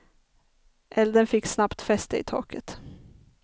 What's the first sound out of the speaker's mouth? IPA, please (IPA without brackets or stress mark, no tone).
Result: ʔ